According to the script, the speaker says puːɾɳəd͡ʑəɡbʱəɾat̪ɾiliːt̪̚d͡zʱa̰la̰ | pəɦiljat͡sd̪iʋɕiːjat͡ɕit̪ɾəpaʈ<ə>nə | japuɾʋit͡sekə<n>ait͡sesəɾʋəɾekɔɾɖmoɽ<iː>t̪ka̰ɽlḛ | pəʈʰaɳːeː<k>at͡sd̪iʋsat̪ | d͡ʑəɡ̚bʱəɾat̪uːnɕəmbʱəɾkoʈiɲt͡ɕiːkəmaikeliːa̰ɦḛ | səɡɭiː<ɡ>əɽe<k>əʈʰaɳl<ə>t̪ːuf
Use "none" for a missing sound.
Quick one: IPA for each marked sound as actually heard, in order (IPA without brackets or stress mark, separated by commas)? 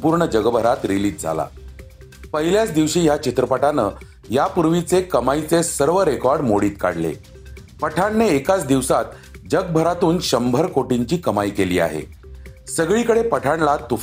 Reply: a, m, iː, k, k, p, a